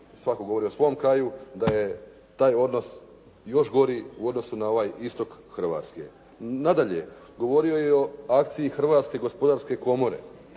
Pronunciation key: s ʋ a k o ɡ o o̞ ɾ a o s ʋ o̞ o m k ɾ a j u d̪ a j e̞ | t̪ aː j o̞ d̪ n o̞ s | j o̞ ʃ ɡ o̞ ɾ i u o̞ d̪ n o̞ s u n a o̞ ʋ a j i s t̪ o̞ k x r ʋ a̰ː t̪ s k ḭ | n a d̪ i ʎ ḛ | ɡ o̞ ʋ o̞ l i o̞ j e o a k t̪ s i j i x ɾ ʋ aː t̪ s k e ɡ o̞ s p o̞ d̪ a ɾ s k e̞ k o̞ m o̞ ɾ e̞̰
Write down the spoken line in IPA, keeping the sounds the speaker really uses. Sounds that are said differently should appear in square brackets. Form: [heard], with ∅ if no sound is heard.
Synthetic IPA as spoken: s ʋ a k o ɡ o o̞ ɾ [i] o s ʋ o̞ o m k ɾ a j u d̪ a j e̞ | t̪ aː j o̞ d̪ n o̞ s | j o̞ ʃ ɡ o̞ ɾ i u o̞ d̪ n o̞ s u n a o̞ ʋ a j i s t̪ o̞ k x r ʋ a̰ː t̪ s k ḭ | n a d̪ [a] ʎ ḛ | ɡ o̞ ʋ o̞ [ɾ] i o̞ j e o a k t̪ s i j i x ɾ ʋ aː t̪ s k e ɡ o̞ s p o̞ d̪ a ɾ s k e̞ k o̞ m o̞ ɾ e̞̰